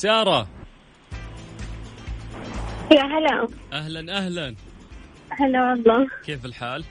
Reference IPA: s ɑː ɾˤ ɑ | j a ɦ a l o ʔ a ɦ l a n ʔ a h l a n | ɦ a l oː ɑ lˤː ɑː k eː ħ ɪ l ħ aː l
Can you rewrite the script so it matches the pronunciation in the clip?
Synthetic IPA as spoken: s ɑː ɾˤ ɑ | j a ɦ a l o ʔ a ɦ l a n ʔ a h l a n | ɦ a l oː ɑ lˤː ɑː k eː f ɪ l ħ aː l